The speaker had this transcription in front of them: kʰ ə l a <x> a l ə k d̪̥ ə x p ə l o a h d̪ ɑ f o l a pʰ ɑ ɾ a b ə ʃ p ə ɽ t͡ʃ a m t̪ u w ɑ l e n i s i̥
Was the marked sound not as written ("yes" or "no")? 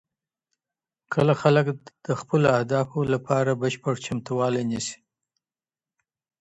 no